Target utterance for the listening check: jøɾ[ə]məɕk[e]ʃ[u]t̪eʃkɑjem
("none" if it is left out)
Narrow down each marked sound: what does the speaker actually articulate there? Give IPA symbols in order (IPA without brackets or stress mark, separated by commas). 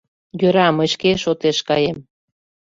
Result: ɑ, e, o